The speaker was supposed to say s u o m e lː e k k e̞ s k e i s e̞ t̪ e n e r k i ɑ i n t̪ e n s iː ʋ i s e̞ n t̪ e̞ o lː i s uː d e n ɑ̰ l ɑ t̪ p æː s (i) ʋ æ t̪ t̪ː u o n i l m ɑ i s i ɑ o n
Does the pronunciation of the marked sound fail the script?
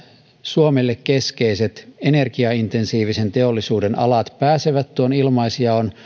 yes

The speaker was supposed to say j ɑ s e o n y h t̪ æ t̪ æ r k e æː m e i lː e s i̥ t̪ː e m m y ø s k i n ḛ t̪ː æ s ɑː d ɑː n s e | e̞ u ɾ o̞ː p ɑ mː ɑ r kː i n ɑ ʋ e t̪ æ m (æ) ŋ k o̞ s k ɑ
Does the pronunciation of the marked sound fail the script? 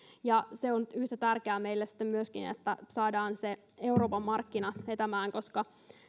yes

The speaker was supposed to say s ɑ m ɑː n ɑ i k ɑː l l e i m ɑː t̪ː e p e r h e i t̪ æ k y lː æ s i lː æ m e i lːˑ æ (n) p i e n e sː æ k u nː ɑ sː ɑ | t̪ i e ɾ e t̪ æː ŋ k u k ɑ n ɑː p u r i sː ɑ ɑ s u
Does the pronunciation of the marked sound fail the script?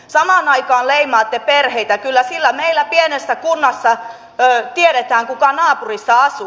yes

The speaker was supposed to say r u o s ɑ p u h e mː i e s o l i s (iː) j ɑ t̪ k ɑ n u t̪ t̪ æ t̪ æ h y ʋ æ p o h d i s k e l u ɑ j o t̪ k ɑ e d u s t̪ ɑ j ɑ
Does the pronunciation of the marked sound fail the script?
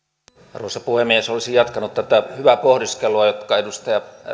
yes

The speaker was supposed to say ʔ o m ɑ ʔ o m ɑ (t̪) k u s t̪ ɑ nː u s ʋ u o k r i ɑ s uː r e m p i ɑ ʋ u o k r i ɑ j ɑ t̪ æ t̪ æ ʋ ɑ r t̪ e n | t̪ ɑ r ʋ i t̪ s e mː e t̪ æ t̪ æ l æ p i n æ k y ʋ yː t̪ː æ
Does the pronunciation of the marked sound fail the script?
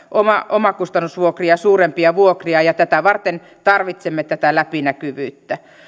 yes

